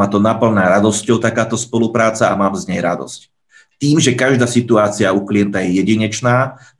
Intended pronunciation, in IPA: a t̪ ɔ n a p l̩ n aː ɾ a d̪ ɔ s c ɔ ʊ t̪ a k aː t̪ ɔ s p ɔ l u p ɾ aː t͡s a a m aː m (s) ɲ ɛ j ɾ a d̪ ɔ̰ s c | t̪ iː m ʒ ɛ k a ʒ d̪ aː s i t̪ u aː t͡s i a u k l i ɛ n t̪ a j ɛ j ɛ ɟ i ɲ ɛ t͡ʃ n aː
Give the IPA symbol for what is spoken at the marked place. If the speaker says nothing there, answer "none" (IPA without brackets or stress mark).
z